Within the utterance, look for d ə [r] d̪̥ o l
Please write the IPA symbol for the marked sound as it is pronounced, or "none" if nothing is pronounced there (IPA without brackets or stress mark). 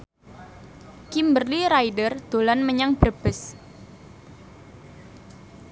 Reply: r